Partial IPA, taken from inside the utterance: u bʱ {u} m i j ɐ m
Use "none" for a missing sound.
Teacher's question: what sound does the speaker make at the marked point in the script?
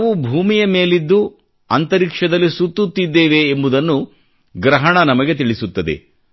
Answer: uː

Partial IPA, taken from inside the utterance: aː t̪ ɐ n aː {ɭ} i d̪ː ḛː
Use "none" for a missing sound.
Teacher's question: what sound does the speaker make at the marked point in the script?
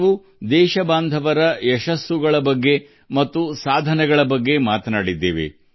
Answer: ɽ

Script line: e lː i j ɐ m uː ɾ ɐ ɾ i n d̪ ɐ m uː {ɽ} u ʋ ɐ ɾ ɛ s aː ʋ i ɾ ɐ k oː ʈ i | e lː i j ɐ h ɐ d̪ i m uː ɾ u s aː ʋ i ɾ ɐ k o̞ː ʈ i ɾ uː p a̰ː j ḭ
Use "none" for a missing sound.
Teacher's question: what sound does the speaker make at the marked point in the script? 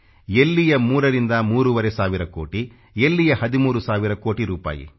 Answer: ɾ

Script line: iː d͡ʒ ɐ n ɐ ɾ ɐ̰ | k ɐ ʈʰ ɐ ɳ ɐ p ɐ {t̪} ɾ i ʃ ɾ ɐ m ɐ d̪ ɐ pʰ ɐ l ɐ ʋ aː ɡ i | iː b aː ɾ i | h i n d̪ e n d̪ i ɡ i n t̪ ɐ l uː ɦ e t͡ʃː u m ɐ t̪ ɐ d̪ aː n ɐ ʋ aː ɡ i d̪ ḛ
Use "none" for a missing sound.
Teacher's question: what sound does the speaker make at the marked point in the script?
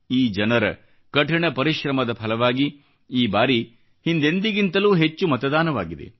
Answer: none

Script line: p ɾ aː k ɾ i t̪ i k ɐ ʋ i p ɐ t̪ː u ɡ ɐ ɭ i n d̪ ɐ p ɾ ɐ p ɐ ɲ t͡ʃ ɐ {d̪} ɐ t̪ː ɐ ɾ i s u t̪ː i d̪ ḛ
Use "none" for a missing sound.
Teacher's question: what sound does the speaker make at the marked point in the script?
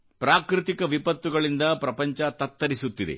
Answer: t̪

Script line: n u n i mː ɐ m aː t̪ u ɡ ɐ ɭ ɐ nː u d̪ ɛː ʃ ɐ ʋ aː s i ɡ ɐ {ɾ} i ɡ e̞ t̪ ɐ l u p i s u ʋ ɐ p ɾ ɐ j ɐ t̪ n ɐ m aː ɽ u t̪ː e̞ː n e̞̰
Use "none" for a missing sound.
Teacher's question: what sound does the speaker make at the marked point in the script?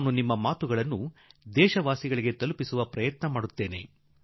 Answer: ɭ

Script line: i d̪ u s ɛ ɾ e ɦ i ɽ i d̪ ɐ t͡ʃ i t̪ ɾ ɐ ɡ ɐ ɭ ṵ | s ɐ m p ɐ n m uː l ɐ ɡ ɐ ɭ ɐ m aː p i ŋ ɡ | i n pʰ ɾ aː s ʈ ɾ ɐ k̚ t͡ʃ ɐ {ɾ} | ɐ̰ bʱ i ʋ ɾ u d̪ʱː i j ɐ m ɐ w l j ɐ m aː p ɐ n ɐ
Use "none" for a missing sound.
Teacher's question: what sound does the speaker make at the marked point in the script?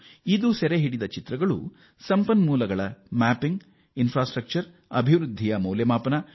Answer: ɾ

